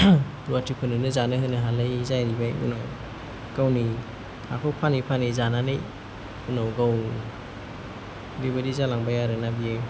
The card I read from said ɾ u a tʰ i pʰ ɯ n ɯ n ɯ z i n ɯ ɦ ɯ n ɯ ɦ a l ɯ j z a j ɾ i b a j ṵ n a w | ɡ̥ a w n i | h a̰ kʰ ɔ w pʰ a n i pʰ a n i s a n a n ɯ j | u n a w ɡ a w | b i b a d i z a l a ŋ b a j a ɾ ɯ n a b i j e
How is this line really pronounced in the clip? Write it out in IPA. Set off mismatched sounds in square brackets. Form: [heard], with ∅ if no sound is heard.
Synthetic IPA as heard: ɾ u a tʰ i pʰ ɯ n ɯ n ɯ z [a] n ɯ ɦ ɯ n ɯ ɦ a l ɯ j z a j ɾ i b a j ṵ n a w | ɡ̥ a w n i | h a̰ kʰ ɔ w pʰ a n i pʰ a n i [z] a n a n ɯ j | u n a w ɡ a w | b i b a d i z a l a ŋ b a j a ɾ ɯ n a b i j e